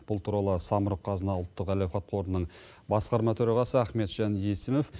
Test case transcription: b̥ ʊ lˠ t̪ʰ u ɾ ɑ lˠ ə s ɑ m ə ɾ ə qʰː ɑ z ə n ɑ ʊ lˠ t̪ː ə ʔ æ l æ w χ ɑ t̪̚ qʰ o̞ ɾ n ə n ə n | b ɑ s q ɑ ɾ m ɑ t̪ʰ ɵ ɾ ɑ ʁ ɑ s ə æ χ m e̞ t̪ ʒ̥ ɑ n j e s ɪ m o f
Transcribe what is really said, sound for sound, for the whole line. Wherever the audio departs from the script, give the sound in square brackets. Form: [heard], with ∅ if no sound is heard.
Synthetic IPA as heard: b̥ ʊ lˠ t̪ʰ u ɾ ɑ lˠ ə s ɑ m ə ɾ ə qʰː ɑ z ə n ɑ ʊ lˠ t̪ː ə [q] æ l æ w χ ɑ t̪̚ qʰ o̞ ɾ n ə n ə [ɴ] | b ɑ s q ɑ ɾ m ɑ t̪ʰ ɵ ɾ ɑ ʁ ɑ s ə æ χ m e̞ t̪ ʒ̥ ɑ n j e s ɪ m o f